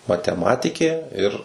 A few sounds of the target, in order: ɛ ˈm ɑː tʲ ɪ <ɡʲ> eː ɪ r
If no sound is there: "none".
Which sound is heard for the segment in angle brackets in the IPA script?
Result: kʲ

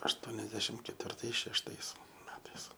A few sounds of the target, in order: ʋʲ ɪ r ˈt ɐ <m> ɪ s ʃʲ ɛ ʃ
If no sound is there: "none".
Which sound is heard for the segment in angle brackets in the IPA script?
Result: none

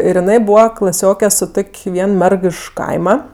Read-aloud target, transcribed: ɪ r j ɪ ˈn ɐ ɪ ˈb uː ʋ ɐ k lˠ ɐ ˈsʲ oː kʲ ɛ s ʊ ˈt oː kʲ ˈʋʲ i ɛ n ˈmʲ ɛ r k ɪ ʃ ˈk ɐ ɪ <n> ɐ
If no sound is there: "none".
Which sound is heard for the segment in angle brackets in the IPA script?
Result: m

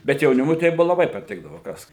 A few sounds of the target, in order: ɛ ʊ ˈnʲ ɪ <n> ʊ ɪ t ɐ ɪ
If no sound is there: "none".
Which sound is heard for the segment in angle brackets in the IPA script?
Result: m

